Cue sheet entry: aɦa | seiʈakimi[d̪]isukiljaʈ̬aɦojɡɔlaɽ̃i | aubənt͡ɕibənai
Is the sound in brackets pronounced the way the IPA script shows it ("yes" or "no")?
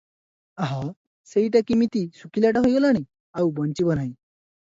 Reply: no